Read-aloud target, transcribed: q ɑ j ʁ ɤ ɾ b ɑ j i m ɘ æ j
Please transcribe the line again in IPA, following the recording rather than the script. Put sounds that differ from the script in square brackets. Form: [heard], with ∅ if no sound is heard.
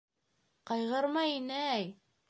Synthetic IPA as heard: q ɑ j ʁ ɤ ɾ [m] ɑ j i [n] ɘ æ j